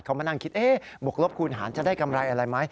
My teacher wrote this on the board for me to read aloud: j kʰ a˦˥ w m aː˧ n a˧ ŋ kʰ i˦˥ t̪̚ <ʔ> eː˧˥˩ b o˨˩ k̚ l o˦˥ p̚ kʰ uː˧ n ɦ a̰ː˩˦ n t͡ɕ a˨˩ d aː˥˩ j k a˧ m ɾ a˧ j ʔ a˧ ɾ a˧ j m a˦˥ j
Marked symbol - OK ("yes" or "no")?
yes